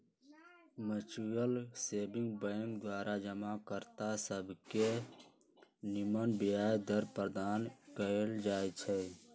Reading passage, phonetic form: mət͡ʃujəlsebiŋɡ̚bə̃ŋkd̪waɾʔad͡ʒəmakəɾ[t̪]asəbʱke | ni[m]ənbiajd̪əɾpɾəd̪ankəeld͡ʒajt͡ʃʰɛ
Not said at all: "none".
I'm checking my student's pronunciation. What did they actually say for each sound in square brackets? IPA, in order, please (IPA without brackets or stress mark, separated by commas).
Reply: t̪, m